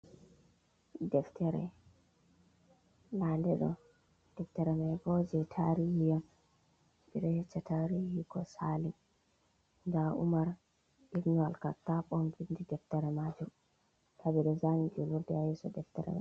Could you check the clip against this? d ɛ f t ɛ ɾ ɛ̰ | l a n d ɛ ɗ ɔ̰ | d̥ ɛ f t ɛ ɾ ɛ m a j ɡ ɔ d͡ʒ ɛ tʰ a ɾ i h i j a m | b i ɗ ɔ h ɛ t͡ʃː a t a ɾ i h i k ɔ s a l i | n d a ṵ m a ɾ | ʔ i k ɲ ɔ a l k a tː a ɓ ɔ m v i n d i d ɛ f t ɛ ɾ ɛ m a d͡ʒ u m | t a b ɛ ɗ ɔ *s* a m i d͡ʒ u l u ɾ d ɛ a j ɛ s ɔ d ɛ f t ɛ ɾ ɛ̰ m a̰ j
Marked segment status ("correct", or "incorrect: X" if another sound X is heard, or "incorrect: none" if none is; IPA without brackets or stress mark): incorrect: z